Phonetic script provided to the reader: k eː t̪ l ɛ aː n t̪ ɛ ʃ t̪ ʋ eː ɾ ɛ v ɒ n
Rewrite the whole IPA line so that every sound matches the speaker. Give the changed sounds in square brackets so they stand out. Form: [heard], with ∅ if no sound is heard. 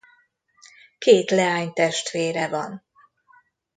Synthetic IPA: k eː t̪ l ɛ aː [ɲ] t̪ ɛ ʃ t̪ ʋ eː ɾ ɛ v ɒ n